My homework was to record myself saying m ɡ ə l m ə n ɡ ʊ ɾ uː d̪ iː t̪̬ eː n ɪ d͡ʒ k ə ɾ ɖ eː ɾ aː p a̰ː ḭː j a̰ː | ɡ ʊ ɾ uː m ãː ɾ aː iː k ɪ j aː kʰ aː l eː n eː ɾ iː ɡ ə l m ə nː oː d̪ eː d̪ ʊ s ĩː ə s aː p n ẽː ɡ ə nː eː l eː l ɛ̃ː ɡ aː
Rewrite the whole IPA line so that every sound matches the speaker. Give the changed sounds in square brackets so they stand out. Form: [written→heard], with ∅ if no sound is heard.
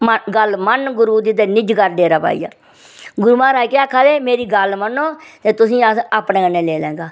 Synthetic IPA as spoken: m ɡ ə l m ə n ɡ ʊ ɾ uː d̪ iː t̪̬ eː n ɪ d͡ʒ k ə ɾ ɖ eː ɾ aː p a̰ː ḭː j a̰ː | ɡ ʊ ɾ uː m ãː ɾ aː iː k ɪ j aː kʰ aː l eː [n→m] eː ɾ iː ɡ ə l m ə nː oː [d̪→t̪] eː [d̪→t̪] ʊ s ĩː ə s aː p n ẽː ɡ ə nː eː l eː l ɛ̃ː ɡ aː